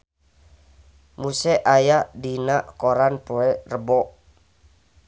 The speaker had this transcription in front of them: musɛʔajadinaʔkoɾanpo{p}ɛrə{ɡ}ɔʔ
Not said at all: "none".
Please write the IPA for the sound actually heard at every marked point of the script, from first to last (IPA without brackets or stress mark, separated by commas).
none, b